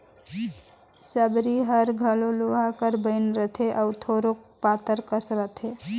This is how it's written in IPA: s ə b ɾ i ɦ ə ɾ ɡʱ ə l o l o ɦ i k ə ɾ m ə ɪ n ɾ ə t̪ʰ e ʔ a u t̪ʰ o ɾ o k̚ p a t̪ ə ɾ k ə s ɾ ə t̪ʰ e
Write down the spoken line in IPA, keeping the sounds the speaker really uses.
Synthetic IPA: s ə b ɾ i ɦ ə ɾ ɡʱ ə l o l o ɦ a k ə ɾ b ə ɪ n ɾ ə t̪ʰ e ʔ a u t̪ʰ o ɾ o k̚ p a t̪ ə ɾ k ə s ɾ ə t̪ʰ e